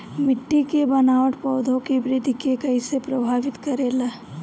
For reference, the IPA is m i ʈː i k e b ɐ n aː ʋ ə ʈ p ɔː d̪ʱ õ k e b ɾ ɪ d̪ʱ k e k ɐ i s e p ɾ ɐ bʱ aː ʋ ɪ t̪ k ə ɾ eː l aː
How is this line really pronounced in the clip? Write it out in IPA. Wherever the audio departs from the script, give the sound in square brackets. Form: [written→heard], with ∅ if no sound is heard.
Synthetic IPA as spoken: m [i→ɪ] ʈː i k e b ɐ n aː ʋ ə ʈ p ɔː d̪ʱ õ k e b ɾ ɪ d̪ʱ k e k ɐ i s e p ɾ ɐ bʱ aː ʋ ɪ t̪ k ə ɾ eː l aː